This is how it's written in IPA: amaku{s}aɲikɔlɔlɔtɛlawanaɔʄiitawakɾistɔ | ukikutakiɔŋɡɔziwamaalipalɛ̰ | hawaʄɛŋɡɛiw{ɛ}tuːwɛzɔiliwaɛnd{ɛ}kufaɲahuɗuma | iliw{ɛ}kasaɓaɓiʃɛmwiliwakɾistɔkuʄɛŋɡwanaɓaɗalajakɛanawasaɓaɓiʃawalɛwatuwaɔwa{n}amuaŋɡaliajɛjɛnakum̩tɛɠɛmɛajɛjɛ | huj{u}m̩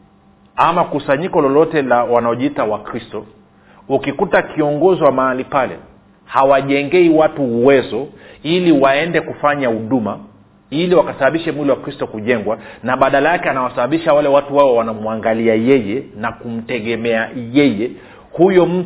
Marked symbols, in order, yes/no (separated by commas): yes, no, yes, no, yes, no